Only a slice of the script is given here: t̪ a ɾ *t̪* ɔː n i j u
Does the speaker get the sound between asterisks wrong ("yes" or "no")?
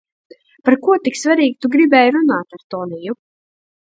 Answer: no